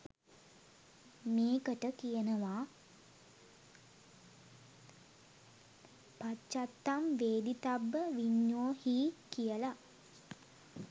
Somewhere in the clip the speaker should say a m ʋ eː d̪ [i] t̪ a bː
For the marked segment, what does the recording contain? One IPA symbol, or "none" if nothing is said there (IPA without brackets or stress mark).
i